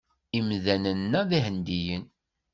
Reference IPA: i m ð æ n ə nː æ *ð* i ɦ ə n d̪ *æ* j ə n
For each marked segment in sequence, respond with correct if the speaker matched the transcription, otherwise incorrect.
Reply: correct, incorrect

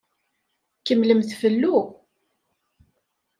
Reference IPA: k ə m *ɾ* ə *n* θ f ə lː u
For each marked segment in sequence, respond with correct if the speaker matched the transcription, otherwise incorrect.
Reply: incorrect, incorrect

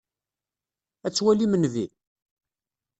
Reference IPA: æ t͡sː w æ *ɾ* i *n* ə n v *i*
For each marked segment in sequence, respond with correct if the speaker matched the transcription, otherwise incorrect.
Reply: incorrect, incorrect, correct

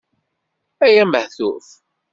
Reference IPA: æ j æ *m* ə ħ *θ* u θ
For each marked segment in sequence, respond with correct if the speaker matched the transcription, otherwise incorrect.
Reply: correct, correct

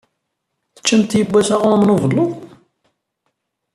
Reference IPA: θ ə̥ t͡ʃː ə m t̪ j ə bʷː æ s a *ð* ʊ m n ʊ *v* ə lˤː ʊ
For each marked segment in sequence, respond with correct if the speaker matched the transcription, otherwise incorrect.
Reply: incorrect, correct

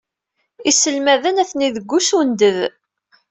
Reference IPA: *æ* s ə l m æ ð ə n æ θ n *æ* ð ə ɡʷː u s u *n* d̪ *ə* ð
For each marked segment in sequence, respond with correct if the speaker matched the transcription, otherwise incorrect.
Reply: incorrect, incorrect, correct, correct

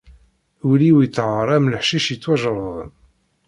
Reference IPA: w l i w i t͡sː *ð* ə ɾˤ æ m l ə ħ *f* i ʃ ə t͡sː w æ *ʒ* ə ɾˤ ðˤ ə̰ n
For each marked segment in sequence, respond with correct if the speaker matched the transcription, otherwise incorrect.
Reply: incorrect, incorrect, correct

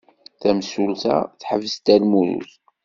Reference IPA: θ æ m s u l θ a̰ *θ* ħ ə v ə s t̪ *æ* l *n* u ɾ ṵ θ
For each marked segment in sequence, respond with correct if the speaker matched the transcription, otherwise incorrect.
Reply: correct, correct, incorrect

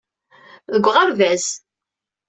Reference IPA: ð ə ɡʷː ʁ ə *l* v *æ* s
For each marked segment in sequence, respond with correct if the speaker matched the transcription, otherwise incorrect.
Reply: incorrect, correct

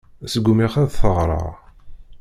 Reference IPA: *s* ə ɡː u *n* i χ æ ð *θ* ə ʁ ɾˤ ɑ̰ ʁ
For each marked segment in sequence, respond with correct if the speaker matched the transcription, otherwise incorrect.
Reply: correct, incorrect, correct

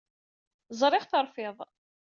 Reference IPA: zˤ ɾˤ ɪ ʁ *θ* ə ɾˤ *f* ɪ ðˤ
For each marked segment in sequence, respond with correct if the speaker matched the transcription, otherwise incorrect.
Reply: correct, correct

